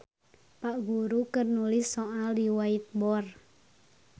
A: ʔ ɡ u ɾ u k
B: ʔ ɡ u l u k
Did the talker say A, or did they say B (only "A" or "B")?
A